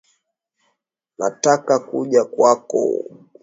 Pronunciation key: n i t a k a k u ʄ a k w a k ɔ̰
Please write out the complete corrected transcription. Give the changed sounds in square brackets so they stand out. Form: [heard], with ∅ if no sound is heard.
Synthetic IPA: n [a] t a k a k u ʄ a k w a k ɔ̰

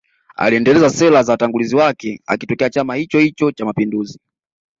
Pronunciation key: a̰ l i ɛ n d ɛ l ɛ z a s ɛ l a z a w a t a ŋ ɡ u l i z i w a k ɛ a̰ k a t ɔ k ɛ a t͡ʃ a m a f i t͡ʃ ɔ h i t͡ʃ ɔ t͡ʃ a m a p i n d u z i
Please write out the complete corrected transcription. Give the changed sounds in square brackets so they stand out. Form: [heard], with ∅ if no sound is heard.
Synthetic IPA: a̰ l i ɛ n d ɛ l ɛ z a s ɛ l a z a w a t a ŋ ɡ u l i z i w a k ɛ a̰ k [i] t ɔ k ɛ a t͡ʃ a m a [h] i t͡ʃ ɔ h i t͡ʃ ɔ t͡ʃ a m a p i n d u z i

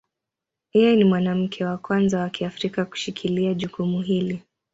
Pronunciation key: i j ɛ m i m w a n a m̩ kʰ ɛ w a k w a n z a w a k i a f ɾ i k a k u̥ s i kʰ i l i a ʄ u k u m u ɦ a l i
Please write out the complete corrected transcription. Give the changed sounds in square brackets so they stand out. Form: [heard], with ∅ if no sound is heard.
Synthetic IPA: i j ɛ [n] i m w a n a m̩ kʰ ɛ w a k w a n z a w a k i a f ɾ i k a k u̥ [ʃ] i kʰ i l i a ʄ u k u m u ɦ [i] l i

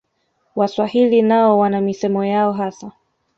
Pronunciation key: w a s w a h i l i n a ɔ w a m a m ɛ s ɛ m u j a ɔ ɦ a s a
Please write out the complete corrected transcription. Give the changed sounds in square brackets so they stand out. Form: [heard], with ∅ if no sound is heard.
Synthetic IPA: w a s w a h i l i n a ɔ w a [n] a m [i] s ɛ m [ɔ] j a ɔ ɦ a s a

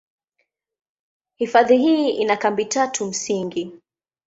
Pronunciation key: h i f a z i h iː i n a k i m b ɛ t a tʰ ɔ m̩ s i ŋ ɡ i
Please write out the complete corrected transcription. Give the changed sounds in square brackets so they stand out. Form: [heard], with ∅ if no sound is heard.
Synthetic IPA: h i f a [ð] i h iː i n a k [a] m b [i] t a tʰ [u] m̩ s i ŋ ɡ i

